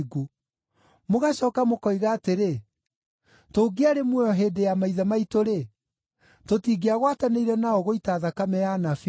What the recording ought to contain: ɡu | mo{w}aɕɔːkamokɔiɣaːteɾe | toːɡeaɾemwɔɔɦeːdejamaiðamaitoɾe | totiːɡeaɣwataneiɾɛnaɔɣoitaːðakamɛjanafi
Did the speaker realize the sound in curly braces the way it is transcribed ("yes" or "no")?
no